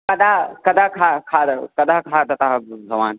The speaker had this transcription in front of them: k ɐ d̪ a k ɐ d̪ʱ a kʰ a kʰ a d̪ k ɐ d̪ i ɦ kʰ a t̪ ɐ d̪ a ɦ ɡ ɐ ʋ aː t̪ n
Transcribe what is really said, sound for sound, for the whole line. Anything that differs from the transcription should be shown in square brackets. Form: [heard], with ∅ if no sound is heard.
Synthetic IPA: k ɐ d̪ a k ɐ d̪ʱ a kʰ a kʰ a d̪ k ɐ d̪ [a] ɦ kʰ a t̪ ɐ [t̪] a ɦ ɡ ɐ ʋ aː [∅] n